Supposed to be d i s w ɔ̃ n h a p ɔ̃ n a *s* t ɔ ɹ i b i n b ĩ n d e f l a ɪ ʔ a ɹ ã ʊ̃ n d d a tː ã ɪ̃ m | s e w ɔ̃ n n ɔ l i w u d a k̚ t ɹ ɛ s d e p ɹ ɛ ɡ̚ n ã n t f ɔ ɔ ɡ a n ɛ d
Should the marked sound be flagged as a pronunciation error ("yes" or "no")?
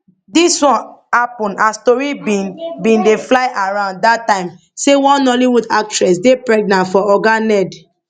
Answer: no